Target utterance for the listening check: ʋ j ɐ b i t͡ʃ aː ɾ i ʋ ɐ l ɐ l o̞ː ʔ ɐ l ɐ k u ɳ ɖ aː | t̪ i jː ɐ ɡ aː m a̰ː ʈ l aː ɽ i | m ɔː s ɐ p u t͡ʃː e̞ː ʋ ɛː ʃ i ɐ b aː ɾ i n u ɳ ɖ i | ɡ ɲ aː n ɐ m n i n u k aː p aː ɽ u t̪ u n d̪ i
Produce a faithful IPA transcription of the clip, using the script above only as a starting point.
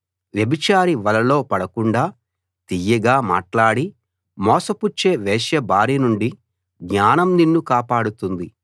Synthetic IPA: ʋ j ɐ b i t͡ʃ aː ɾ i ʋ ɐ l ɐ l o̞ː p ɐ ɽ ɐ k u ɳ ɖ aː | t̪ i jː ɐ ɡ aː m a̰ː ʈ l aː ɽ i | m ɔː s ɐ p u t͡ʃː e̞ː ʋ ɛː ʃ j ɐ b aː ɾ i n u ɳ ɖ i | ɡ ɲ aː n ɐ m n i nː u k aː p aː ɽ u t̪ u n d̪ i